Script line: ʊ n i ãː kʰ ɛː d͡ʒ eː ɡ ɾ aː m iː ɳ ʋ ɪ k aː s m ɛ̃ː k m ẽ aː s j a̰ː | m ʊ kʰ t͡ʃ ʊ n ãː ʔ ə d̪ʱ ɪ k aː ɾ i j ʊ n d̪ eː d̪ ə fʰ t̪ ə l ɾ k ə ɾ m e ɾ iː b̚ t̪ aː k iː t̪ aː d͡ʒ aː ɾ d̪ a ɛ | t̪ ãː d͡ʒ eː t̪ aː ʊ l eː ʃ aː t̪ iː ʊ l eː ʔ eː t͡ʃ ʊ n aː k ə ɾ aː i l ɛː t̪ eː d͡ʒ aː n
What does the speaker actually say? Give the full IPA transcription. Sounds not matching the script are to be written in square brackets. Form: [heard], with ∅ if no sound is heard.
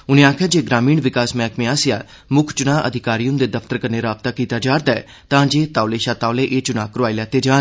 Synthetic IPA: ʊ n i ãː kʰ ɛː d͡ʒ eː ɡ ɾ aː m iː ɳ ʋ ɪ k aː s m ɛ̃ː k m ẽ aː s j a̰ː | m ʊ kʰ t͡ʃ ʊ n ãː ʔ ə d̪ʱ ɪ k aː ɾ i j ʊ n d̪ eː d̪ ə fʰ t̪ ə [∅] ɾ k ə ɾ [n] e ɾ [aː] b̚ t̪ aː k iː t̪ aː d͡ʒ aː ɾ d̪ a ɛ | t̪ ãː d͡ʒ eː t̪ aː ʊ l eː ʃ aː t̪ [aː] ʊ l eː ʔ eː t͡ʃ ʊ n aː k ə ɾ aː i l ɛː t̪ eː d͡ʒ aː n